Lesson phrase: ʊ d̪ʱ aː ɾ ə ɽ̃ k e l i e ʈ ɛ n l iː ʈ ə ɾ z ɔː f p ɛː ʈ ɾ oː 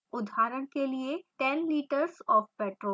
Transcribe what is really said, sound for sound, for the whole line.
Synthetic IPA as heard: ʊ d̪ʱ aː ɾ ə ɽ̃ k e l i e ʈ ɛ n l iː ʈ ə ɾ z ɔː f p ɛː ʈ ɾ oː